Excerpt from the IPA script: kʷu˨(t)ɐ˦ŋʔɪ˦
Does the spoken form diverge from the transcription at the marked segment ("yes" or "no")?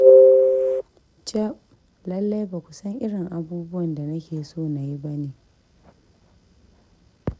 yes